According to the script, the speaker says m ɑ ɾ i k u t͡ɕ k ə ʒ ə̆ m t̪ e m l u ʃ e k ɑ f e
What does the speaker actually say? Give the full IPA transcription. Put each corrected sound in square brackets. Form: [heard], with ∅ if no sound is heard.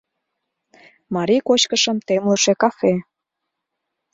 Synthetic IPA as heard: m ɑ ɾ i k [o] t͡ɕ k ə [ʃ] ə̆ m t̪ e m l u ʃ e k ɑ f e